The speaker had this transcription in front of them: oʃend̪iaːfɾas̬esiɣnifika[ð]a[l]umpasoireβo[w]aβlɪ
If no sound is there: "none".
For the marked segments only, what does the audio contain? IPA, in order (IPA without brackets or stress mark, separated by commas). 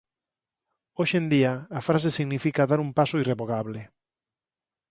ð, ɾ, ɣ